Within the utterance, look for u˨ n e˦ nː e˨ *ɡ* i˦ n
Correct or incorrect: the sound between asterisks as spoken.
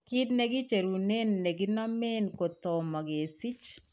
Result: correct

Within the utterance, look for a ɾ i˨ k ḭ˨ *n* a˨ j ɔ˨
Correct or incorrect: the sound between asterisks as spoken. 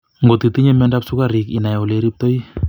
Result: correct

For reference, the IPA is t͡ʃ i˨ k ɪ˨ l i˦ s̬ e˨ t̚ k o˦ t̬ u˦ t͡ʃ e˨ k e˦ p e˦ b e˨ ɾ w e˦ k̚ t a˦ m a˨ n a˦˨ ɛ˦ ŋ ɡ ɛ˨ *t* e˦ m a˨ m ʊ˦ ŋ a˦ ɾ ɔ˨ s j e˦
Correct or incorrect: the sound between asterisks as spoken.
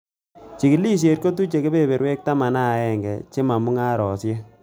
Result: incorrect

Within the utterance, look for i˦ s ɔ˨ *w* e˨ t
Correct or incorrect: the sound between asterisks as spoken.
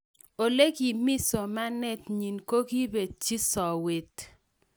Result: correct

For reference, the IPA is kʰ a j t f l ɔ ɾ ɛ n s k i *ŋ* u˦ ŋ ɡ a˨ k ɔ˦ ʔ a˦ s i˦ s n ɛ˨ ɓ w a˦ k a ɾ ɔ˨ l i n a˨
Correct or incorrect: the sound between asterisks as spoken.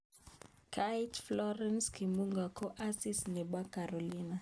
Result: incorrect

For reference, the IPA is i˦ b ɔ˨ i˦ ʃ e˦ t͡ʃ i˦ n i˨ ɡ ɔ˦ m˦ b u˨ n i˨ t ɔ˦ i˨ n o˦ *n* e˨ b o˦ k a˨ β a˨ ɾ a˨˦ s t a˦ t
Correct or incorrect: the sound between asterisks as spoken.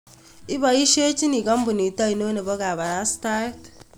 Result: correct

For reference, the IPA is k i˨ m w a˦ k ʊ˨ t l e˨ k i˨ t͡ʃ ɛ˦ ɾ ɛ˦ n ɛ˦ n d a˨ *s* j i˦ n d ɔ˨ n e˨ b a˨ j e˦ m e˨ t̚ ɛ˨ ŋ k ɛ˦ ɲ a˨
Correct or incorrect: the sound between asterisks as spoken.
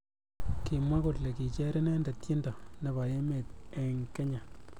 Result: incorrect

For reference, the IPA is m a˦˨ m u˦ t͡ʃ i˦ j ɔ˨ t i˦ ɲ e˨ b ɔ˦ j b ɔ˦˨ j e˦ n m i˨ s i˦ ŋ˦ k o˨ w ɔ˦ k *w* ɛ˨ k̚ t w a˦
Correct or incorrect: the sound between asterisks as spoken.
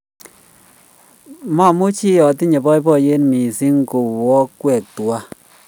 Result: correct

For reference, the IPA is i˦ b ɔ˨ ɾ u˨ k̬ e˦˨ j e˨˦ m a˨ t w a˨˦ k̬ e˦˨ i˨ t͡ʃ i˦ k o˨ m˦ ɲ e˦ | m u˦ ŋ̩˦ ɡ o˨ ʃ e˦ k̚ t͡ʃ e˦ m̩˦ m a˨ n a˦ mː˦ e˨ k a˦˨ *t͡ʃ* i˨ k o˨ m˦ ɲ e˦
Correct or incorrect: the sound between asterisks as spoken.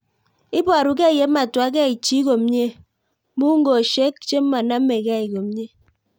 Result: incorrect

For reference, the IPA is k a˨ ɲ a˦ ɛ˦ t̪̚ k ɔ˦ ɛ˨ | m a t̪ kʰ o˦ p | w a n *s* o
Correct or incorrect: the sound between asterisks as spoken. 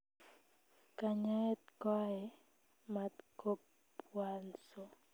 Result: correct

